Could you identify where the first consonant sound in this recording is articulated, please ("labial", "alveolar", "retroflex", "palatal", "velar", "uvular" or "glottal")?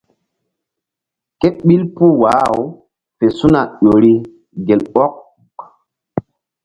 velar